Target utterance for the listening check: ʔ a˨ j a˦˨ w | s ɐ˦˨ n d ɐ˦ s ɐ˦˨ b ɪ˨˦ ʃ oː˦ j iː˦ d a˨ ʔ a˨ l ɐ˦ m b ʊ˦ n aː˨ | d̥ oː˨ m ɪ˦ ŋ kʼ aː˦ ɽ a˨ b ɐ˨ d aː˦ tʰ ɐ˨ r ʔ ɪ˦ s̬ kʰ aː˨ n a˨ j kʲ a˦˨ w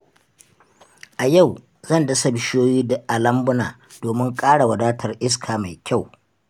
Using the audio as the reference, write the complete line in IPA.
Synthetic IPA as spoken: ʔ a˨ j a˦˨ w | z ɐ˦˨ n d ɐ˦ s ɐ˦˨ b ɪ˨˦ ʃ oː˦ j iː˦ d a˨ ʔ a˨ l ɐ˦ m b ʊ˦ n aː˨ | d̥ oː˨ m ɪ˦ ŋ kʼ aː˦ ɽ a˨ w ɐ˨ d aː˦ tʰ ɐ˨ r ʔ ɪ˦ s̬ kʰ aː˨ m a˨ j kʲ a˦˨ w

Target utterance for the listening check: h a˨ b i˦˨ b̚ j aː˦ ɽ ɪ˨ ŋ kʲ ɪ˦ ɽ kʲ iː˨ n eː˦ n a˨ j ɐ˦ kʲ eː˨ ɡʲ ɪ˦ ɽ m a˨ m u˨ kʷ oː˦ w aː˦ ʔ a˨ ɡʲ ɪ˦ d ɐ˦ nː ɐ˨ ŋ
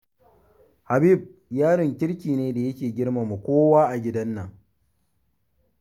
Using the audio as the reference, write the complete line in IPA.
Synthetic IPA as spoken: h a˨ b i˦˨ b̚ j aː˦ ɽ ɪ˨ ŋ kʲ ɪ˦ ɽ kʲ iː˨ n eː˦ d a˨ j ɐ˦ kʲ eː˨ ɡʲ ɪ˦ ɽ m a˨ m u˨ kʷ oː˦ w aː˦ ʔ a˨ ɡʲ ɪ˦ d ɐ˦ nː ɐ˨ ŋ

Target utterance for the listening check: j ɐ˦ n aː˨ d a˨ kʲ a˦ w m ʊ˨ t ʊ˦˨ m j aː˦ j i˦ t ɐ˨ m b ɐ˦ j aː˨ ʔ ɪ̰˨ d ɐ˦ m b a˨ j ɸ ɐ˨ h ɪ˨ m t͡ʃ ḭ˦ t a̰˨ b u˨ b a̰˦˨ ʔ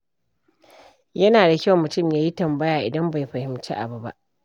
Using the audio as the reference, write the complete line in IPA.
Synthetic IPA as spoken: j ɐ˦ n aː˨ d a˨ kʲ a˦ w m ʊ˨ t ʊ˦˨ m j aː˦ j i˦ t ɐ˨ m b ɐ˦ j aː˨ ʔ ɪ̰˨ d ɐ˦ m b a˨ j ɸ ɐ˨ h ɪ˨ m t͡ʃ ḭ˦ ʔ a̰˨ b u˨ b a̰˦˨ ʔ

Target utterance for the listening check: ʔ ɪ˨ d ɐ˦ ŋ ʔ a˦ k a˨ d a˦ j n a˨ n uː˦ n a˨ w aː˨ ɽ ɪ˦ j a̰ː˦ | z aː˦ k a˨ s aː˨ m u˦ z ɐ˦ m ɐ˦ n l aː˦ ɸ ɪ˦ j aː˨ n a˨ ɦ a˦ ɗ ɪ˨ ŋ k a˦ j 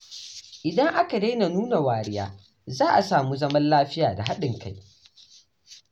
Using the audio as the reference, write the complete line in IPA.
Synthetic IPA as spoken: ʔ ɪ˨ d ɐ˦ ŋ ʔ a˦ k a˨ d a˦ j n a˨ n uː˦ n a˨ w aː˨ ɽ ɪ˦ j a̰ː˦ | z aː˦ ʔ a˨ s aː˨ m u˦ z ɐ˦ m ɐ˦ n l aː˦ ɸ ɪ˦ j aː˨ d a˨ ɦ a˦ ɗ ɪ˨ ŋ k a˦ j

